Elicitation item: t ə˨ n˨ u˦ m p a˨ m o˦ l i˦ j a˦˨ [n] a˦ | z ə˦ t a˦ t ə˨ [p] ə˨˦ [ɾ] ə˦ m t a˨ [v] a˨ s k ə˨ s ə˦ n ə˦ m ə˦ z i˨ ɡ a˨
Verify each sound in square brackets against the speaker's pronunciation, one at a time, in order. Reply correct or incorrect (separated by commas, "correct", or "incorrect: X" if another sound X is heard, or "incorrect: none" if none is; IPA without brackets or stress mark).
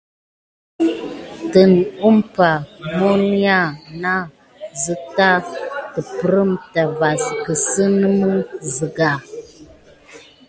correct, correct, correct, correct